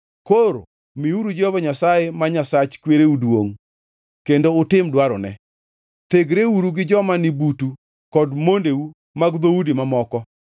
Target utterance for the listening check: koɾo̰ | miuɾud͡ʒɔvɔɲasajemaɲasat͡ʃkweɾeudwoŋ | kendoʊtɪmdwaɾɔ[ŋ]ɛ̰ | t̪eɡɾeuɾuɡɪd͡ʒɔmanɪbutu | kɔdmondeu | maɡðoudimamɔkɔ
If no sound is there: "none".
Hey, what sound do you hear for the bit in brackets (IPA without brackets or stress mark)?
n